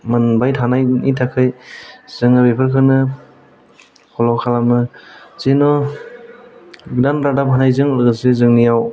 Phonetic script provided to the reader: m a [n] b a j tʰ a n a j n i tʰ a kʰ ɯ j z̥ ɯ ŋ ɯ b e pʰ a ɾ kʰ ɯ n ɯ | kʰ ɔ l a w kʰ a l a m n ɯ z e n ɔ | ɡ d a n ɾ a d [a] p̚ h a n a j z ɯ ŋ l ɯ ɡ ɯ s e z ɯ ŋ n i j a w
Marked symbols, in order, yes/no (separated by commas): yes, yes